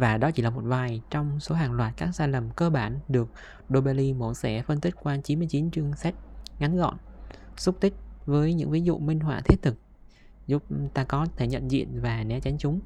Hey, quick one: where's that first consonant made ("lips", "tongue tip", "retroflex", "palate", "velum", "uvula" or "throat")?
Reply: lips